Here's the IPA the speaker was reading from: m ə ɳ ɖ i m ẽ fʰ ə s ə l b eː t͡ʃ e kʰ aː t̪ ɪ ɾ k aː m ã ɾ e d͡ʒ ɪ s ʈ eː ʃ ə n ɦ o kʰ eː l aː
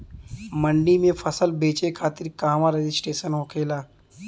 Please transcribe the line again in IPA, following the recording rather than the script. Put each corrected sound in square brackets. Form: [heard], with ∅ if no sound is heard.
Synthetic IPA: m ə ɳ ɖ i m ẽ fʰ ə s ə l b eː t͡ʃ e kʰ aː t̪ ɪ ɾ k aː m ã ɾ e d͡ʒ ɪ s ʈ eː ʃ ə n ɦ o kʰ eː l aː